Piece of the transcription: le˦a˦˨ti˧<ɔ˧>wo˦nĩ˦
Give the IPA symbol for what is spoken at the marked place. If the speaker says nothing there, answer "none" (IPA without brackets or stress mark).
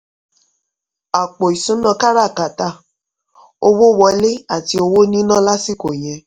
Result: o˧